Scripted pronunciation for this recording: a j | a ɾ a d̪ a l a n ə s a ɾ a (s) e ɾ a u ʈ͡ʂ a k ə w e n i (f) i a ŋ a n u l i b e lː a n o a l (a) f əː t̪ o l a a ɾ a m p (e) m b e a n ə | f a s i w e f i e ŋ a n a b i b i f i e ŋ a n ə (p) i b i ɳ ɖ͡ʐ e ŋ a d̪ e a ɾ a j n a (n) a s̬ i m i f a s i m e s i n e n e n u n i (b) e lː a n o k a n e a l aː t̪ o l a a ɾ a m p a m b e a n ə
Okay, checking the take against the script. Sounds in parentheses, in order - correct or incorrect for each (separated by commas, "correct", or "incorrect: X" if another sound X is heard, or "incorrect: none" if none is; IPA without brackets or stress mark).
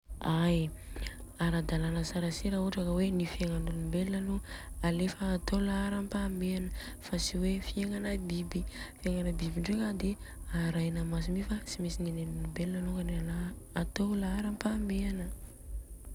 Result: correct, correct, incorrect: e, incorrect: a, incorrect: b, incorrect: m, correct